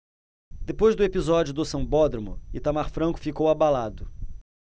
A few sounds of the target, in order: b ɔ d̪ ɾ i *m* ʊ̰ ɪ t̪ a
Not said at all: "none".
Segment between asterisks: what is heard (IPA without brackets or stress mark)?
m